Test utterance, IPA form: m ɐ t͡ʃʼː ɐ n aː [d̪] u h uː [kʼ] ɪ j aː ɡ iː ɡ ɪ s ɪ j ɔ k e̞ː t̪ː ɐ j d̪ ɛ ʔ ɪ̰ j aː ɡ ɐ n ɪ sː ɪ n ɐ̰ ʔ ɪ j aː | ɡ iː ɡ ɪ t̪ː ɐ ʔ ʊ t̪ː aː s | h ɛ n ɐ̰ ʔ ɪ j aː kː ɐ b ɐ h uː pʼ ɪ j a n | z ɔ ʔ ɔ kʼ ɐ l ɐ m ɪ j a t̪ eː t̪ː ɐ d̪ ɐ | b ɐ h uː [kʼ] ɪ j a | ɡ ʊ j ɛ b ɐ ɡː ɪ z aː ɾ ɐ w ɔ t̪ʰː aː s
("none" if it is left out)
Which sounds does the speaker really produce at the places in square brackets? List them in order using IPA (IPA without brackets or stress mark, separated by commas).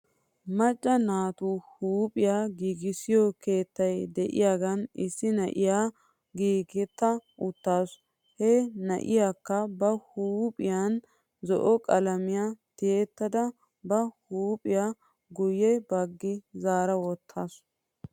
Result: t̪, pʼ, pʼ